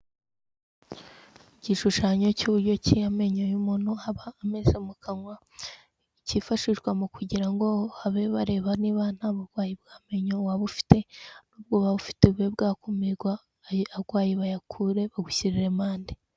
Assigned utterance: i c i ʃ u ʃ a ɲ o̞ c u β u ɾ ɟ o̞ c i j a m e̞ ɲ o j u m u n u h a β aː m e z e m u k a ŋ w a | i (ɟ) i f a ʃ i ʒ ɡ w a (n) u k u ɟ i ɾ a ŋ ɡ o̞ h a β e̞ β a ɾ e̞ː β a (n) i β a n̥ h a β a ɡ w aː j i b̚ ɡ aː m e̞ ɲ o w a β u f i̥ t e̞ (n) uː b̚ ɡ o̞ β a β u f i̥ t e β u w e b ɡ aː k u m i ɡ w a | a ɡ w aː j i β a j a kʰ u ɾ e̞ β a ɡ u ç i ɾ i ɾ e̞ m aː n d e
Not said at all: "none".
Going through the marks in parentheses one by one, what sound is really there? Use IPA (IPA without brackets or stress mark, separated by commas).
c, m, n, n